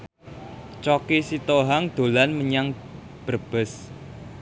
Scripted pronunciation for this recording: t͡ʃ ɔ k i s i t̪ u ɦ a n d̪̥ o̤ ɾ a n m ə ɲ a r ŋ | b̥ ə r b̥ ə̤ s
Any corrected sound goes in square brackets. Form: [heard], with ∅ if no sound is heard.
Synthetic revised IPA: t͡ʃ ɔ k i s i t̪ [o] ɦ a [ŋ] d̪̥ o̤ [l] a n m ə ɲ a [∅] ŋ | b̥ ə r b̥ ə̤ s